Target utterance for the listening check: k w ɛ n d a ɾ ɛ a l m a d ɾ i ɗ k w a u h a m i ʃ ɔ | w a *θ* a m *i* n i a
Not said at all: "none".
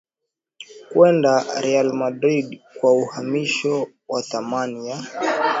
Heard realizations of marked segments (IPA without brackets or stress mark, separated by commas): θ, a